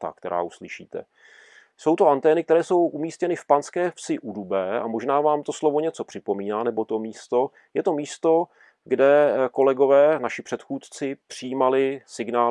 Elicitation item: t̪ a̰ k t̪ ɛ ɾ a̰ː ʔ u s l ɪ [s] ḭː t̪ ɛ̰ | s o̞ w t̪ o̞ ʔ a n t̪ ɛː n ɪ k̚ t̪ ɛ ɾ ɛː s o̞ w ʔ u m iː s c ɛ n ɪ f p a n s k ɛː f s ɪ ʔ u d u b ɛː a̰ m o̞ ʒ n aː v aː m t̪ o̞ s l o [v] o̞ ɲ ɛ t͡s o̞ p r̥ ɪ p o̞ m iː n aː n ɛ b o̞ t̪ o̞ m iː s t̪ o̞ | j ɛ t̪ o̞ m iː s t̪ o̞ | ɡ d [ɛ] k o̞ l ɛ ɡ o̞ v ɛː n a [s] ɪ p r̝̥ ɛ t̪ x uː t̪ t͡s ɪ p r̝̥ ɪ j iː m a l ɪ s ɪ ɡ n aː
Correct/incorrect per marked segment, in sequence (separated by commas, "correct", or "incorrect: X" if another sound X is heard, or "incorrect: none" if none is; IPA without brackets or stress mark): incorrect: ʃ, correct, correct, incorrect: ʃ